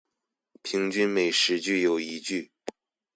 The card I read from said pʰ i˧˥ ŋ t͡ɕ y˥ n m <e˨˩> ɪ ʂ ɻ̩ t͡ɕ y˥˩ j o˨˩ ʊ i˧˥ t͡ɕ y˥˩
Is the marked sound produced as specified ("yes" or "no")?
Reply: yes